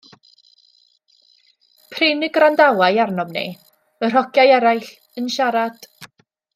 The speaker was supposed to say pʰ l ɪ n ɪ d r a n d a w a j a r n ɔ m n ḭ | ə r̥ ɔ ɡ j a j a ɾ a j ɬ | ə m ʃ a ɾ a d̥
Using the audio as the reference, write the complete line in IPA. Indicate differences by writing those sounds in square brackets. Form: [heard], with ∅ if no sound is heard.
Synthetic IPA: pʰ [r] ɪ n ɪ [ɡ] r a n d a w a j a r n ɔ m n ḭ | ə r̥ ɔ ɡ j a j [ɛ] ɾ a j ɬ | ə [n] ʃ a ɾ a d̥